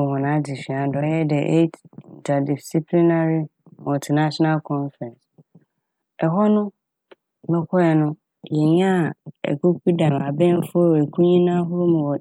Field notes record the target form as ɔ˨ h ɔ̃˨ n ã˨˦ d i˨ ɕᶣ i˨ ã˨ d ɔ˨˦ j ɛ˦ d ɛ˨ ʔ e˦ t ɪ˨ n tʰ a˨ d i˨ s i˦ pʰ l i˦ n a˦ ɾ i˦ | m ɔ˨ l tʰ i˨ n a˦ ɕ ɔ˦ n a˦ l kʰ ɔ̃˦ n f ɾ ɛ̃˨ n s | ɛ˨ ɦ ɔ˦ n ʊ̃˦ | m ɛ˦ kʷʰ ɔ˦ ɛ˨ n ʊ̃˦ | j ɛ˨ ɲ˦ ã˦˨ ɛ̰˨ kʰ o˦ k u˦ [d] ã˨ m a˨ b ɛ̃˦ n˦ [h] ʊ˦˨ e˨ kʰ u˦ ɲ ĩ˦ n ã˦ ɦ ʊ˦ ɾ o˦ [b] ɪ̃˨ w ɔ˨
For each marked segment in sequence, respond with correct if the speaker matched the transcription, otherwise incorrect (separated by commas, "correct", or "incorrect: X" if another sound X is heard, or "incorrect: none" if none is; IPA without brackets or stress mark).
correct, incorrect: f, incorrect: m